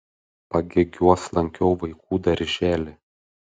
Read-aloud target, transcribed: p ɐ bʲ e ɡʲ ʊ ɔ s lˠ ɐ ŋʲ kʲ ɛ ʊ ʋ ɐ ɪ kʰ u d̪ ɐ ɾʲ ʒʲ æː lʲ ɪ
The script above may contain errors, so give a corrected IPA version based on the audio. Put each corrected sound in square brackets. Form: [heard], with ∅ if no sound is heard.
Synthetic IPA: p ɐ [ɡʲ] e ɡʲ [u] ɔ s lˠ ɐ ŋʲ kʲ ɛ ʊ ʋ ɐ ɪ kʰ [uː] d̪ ɐ ɾʲ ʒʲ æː lʲ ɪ